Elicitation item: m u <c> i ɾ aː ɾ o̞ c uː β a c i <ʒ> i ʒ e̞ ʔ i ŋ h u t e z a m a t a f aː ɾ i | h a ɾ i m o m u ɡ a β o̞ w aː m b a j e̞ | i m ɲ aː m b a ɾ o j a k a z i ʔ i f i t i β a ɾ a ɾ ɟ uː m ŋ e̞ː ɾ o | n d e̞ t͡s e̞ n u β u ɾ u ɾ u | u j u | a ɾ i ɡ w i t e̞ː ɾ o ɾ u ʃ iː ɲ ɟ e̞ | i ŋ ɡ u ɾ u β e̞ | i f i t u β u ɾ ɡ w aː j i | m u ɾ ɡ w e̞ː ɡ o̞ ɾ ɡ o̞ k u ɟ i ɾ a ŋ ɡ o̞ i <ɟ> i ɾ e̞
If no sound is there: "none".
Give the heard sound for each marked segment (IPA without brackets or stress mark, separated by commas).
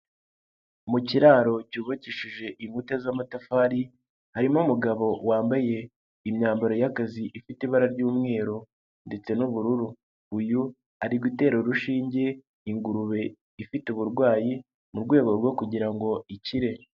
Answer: c, ʃ, c